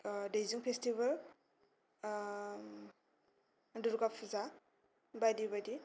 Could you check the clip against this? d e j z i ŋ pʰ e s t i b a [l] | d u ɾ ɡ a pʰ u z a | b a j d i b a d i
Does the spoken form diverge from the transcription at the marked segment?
no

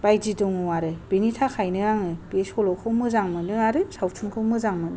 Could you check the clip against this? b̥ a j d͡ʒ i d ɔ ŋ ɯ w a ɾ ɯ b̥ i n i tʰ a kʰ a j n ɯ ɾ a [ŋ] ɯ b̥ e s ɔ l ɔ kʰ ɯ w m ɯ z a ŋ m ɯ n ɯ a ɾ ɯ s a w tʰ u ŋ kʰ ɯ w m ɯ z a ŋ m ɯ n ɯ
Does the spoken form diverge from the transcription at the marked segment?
no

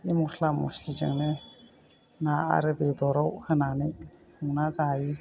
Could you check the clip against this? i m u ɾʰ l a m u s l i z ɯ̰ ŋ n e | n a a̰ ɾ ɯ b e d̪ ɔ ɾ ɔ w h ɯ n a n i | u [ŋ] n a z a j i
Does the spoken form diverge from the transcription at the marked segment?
no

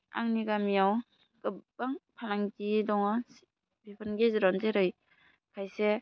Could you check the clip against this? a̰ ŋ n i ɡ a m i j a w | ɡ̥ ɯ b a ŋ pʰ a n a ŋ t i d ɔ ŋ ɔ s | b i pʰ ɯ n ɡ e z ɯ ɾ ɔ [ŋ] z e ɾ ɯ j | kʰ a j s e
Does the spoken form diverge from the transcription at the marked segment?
yes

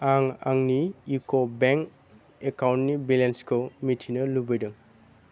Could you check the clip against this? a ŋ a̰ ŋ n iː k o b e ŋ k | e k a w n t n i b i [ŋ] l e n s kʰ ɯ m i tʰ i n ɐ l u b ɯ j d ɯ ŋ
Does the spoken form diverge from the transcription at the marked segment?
yes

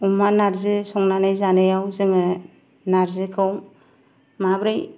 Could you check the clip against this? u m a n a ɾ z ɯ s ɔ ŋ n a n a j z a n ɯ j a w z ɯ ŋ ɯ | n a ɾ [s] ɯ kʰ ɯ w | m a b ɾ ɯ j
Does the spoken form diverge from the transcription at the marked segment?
yes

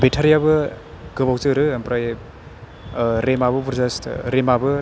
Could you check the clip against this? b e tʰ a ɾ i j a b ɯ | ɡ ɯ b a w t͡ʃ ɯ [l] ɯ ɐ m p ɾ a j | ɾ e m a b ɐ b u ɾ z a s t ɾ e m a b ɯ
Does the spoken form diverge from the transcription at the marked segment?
yes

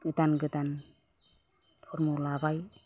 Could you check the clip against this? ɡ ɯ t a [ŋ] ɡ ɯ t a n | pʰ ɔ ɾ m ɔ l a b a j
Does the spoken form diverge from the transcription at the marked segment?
yes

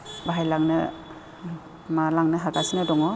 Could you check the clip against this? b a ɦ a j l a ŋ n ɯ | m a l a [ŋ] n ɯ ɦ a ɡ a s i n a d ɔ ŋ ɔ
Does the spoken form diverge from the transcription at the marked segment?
no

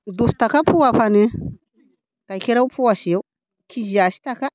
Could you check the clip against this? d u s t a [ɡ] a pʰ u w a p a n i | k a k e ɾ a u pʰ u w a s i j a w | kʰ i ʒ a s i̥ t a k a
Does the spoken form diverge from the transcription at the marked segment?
yes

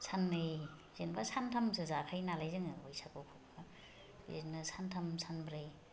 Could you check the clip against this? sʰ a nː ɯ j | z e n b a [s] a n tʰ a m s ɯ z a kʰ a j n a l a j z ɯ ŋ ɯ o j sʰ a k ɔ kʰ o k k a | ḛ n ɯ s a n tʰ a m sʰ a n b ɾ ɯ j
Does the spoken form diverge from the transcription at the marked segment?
no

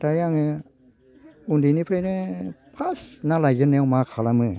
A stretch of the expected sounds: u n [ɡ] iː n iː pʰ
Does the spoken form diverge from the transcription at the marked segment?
yes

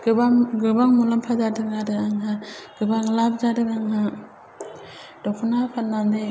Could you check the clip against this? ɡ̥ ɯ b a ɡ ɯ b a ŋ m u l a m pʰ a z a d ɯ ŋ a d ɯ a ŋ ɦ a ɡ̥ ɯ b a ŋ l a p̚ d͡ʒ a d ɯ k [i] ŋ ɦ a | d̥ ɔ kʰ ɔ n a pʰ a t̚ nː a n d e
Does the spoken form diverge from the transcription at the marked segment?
yes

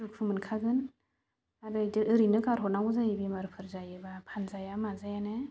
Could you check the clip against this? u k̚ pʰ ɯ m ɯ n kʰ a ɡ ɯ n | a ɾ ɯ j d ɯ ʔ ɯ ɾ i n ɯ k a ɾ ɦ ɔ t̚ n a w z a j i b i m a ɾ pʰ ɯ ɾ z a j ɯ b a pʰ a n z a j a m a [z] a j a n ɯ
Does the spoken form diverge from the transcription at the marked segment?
no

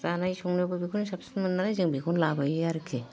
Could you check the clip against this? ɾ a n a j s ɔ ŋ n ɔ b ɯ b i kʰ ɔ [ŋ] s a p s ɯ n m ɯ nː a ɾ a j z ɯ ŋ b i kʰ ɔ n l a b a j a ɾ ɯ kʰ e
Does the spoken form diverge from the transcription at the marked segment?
yes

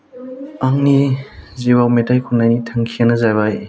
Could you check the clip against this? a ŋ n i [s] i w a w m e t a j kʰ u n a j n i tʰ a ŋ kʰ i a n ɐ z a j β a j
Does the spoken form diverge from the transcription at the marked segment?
yes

